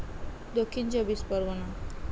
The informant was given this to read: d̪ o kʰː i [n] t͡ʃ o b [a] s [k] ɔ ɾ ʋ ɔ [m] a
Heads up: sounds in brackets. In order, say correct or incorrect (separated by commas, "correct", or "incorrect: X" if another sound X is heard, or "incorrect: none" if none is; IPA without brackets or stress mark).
correct, incorrect: i, incorrect: p, incorrect: n